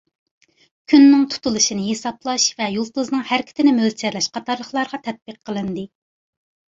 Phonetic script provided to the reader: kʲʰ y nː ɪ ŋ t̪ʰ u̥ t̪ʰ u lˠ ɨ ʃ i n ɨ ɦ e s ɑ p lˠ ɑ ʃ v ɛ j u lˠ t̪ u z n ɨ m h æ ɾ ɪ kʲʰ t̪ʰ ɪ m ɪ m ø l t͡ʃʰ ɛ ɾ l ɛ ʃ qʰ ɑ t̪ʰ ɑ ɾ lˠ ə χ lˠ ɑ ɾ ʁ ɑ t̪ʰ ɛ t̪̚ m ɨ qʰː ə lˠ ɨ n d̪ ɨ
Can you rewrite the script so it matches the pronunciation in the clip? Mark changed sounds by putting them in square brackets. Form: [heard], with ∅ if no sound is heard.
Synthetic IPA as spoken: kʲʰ y nː ɪ ŋ t̪ʰ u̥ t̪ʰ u lˠ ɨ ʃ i n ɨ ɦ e s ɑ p lˠ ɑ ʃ v ɛ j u lˠ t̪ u z n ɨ [ŋ] h æ ɾ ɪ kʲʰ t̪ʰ ɪ [n] ɪ m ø l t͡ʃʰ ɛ ɾ l ɛ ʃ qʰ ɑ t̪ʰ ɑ ɾ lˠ ə χ lˠ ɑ ɾ ʁ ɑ t̪ʰ ɛ t̪̚ [b] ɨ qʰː ə lˠ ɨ n d̪ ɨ

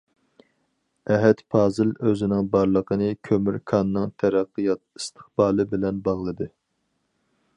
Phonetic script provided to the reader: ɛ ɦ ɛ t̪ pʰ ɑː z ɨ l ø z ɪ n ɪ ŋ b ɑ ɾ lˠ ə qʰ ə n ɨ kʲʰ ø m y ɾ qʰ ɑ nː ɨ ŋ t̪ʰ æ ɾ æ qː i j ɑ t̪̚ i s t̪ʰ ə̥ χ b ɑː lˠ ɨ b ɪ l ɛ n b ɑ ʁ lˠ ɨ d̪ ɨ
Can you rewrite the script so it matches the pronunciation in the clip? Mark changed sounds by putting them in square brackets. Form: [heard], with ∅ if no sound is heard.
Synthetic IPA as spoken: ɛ ɦ ɛ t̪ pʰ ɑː z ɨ l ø z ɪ n ɪ ŋ b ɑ ɾ lˠ ə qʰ ə n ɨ kʲʰ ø m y ɾ [kʰ] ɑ nː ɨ ŋ t̪ʰ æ ɾ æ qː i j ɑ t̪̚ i s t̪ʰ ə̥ χ b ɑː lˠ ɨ b ɪ l ɛ n b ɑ ʁ lˠ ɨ d̪ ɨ

